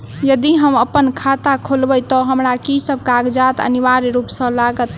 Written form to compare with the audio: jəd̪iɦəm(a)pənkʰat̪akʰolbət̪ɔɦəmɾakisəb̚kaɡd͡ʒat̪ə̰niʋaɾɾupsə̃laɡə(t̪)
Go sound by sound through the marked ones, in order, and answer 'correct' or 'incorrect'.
incorrect: ə, correct

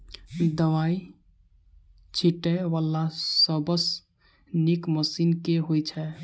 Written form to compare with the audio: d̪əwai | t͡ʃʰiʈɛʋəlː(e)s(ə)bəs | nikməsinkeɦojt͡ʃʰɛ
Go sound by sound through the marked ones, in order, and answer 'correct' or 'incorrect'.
incorrect: a, correct

